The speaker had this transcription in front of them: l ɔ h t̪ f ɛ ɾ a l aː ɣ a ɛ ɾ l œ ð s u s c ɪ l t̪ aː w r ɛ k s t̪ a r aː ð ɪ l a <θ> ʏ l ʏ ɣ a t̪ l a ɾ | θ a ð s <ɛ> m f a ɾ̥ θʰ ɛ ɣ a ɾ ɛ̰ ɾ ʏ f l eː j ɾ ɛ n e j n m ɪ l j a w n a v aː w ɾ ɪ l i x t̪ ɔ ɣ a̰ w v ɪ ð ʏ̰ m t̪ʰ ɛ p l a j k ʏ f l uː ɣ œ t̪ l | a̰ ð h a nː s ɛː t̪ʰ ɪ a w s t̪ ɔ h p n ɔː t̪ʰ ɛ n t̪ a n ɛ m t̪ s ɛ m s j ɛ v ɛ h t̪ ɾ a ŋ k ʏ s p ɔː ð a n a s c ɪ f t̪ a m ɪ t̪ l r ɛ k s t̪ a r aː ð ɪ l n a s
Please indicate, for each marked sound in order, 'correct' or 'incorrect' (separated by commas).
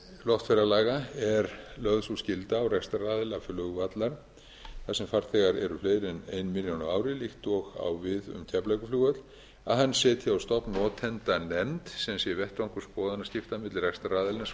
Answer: incorrect, correct